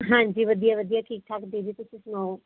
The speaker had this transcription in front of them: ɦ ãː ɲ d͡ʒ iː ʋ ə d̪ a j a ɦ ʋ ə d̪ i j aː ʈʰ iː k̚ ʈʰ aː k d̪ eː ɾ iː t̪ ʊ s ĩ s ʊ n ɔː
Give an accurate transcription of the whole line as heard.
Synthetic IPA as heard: ɦ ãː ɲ d͡ʒ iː ʋ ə d̪ i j a ʋ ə d̪ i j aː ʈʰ iː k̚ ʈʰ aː k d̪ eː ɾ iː t̪ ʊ s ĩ s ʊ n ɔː